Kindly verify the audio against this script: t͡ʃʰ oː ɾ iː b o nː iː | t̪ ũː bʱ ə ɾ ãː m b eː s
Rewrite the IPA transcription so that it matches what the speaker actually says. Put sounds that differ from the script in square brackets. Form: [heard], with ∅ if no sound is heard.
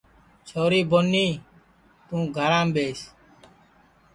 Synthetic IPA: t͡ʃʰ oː ɾ iː b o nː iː | t̪ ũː [ɡʱ] ə ɾ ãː m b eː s